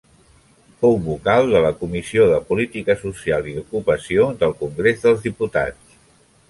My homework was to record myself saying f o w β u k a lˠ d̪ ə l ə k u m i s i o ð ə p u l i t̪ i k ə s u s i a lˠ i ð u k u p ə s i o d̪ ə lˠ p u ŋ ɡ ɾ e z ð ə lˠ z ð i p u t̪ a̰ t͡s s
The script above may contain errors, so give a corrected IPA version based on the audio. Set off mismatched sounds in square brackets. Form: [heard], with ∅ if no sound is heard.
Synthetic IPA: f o w β u k a lˠ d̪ ə l ə k u m i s i o ð ə p u l i t̪ i k ə s u s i a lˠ i ð u k u p ə s i o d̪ ə lˠ [k] u ŋ ɡ ɾ e z ð ə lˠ z ð i p u t̪ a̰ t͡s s